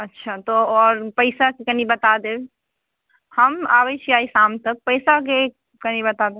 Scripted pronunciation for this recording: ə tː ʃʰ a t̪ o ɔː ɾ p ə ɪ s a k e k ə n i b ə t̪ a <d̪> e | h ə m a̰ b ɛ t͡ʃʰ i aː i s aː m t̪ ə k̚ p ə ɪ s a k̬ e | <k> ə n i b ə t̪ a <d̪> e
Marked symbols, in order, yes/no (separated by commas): yes, yes, yes